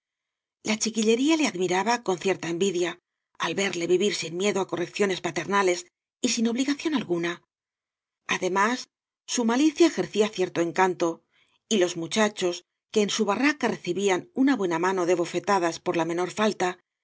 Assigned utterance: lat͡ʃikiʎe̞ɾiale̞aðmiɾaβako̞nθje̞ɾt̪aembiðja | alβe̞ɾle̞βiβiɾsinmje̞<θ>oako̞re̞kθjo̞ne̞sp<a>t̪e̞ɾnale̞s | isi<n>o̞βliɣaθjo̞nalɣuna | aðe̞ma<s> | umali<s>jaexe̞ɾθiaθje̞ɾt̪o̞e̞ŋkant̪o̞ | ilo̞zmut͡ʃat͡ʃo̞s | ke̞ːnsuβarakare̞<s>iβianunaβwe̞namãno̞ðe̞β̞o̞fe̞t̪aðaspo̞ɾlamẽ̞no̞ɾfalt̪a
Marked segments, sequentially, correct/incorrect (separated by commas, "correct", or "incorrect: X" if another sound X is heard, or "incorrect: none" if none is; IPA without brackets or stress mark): incorrect: ð, correct, correct, incorrect: sː, incorrect: θ, incorrect: θ